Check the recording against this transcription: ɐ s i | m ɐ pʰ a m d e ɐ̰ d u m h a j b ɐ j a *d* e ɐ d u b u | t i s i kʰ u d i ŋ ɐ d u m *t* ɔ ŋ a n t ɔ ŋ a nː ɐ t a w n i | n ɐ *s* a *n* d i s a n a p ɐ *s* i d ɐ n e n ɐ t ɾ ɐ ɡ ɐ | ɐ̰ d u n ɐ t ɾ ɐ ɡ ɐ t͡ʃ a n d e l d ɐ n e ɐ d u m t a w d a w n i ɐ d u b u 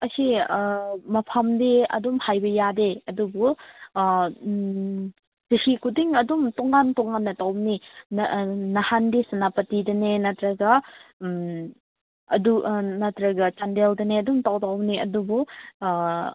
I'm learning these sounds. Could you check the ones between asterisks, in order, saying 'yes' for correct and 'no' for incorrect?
yes, yes, no, yes, no

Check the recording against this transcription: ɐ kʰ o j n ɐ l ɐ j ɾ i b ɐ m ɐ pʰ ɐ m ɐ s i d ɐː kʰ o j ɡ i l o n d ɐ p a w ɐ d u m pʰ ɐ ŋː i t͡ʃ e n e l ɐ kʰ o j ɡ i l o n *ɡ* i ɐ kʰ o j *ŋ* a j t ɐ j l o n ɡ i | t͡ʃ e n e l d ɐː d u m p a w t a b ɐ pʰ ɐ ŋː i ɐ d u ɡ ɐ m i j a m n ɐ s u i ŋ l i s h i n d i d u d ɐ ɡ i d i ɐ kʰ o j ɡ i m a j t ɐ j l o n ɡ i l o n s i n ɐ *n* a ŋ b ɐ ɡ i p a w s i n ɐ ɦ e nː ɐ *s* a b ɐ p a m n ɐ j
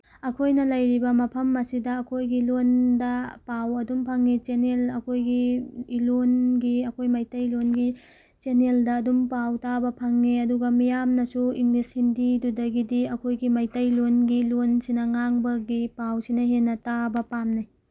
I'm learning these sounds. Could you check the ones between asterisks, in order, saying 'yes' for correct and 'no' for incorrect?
yes, no, no, no

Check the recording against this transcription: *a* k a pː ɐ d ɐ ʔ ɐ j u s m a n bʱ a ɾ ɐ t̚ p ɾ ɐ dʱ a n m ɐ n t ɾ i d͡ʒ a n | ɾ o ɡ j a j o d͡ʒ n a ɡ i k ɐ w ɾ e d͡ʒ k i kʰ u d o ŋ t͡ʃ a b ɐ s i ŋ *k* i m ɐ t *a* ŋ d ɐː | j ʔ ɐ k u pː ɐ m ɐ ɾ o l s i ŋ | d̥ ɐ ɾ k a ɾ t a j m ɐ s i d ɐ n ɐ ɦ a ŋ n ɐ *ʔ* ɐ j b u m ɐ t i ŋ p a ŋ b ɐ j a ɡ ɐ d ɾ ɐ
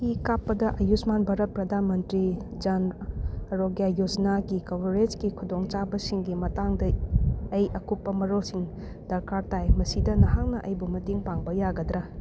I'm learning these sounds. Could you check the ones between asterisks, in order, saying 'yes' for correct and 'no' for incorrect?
no, no, yes, yes

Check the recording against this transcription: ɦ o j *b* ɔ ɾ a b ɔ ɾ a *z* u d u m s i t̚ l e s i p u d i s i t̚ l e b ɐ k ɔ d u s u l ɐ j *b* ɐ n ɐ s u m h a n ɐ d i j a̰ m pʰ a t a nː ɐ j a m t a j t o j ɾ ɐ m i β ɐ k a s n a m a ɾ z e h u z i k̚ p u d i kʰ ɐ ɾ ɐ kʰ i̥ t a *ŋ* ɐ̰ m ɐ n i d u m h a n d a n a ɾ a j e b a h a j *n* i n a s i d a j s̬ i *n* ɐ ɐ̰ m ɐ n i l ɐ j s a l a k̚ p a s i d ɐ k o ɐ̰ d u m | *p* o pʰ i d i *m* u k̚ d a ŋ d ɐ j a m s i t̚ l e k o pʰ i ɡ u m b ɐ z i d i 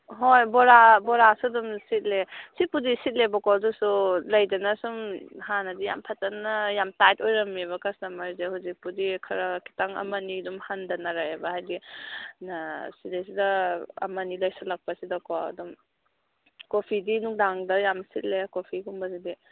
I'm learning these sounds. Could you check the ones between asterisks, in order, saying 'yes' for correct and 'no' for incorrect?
yes, no, no, yes, no, no, no, no

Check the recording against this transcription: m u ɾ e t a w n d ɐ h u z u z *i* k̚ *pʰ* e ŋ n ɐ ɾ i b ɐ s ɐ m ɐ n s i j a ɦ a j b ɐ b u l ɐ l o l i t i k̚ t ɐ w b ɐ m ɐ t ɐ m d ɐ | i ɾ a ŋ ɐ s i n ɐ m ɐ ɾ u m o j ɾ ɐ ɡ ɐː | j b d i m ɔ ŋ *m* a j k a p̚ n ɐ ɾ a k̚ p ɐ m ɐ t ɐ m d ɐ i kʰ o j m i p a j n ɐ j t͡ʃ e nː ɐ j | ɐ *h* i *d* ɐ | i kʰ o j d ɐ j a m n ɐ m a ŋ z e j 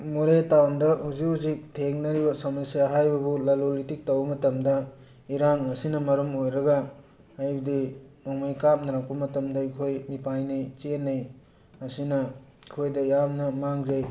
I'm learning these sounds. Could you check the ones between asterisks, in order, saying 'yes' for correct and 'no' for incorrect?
yes, no, yes, no, no

